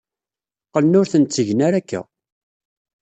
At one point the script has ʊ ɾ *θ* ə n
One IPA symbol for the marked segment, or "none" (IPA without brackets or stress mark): θ